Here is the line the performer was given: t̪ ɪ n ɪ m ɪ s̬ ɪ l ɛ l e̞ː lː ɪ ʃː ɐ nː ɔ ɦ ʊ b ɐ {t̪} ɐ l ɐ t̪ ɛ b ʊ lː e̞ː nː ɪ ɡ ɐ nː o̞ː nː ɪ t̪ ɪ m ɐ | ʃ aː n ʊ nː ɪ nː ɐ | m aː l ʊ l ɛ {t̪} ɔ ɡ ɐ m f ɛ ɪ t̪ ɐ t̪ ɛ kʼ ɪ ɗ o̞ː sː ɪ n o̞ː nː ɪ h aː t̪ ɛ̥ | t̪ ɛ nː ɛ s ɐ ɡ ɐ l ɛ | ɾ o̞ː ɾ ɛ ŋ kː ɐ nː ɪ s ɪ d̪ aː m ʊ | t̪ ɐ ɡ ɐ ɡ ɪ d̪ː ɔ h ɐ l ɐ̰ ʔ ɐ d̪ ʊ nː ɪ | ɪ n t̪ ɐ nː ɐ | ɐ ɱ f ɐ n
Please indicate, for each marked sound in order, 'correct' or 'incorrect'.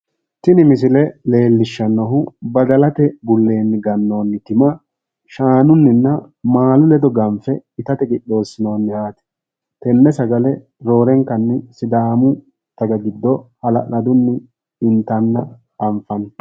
incorrect: d̪, incorrect: d̪

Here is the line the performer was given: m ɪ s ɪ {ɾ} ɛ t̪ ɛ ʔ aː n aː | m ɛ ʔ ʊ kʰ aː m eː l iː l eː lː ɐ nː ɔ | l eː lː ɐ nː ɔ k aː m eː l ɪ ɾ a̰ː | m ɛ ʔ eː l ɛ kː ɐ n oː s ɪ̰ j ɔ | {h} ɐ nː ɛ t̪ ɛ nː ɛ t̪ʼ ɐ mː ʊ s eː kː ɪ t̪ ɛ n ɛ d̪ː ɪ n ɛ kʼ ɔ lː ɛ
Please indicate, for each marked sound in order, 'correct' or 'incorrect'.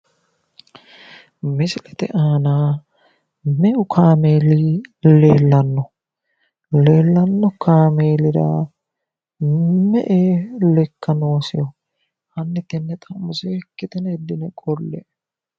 incorrect: l, correct

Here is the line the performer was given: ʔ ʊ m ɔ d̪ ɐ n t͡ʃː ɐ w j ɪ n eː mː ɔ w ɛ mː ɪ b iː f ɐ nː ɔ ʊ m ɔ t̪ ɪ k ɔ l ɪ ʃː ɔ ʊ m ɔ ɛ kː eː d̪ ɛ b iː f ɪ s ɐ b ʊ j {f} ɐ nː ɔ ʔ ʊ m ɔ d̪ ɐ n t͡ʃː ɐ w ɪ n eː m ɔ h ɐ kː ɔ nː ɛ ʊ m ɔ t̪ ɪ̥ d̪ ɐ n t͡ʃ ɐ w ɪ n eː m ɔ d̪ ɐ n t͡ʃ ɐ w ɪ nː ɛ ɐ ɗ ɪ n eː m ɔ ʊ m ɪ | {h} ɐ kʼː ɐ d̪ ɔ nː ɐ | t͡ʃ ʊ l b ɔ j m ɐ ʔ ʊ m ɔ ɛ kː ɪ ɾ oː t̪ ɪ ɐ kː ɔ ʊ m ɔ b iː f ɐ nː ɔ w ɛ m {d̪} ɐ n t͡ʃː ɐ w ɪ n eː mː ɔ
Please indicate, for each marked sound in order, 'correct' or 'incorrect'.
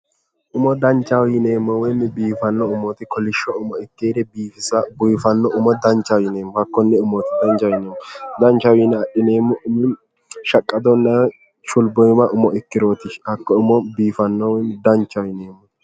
correct, incorrect: ʃ, correct

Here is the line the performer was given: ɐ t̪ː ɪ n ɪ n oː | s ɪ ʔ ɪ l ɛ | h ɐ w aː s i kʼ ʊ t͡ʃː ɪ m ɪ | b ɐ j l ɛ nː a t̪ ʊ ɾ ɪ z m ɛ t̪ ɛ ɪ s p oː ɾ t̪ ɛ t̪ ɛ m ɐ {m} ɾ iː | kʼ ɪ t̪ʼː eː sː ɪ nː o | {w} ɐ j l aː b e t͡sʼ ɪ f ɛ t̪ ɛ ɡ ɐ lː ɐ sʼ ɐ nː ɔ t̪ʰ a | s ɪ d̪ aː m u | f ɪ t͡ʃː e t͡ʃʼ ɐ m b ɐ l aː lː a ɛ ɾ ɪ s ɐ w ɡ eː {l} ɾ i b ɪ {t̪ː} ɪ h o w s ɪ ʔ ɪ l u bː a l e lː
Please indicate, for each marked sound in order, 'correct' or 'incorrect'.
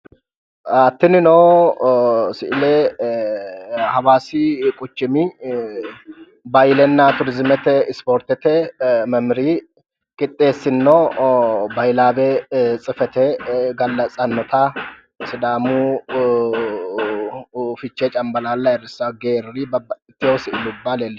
correct, incorrect: b, incorrect: ɾ, correct

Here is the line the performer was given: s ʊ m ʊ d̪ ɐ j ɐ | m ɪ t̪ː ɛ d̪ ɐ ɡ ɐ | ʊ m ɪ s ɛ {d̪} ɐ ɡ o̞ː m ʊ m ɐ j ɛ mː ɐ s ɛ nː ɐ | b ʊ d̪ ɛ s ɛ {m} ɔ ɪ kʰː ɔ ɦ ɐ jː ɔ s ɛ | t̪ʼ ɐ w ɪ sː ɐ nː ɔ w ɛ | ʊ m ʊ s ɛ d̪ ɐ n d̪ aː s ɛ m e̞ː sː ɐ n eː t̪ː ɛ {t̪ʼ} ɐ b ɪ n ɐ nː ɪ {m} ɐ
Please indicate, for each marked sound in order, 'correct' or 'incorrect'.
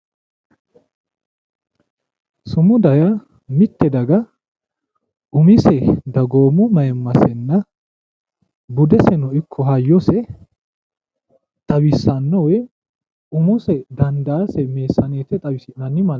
correct, incorrect: n, correct, correct

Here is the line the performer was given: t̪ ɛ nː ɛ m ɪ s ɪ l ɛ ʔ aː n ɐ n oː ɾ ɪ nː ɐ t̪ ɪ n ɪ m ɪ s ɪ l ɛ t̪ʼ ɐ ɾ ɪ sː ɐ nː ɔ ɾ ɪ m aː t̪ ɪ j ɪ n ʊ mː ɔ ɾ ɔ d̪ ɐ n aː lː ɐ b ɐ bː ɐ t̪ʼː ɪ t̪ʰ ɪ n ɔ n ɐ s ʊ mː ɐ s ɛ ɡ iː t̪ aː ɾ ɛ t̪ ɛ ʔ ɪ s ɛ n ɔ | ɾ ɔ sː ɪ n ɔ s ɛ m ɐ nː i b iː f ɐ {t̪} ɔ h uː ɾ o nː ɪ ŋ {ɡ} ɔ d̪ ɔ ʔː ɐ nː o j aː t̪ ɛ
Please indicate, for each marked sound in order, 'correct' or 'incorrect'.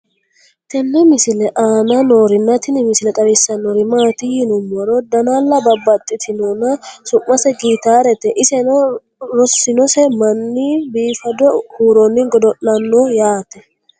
incorrect: d̪, correct

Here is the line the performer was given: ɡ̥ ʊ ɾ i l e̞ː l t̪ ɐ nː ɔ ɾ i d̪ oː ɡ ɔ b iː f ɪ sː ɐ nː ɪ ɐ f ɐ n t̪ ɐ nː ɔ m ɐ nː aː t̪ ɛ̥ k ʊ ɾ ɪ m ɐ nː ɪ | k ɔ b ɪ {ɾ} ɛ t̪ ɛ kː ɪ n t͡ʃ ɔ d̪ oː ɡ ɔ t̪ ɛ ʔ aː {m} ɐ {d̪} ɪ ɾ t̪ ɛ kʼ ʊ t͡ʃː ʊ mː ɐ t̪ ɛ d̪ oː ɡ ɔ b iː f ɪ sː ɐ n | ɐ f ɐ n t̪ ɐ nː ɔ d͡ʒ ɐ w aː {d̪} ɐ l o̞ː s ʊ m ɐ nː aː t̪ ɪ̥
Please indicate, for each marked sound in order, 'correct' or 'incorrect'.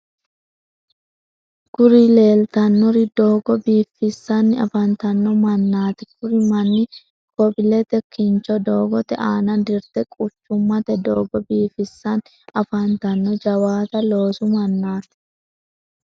incorrect: l, incorrect: n, correct, incorrect: t̪

